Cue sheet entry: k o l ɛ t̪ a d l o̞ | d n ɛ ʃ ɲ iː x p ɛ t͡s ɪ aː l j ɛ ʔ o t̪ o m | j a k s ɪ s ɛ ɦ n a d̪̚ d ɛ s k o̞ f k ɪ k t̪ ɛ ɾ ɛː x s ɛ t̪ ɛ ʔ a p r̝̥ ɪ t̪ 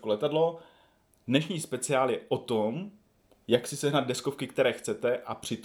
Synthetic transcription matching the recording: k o l ɛ t̪ a d l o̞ | d n ɛ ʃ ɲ iː s p ɛ t͡s ɪ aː l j ɛ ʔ o t̪ o m | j a k s ɪ s ɛ ɦ n a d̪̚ d ɛ s k o̞ f k ɪ k t̪ ɛ ɾ ɛː x t͡s ɛ t̪ ɛ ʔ a p r̝̥ ɪ t̪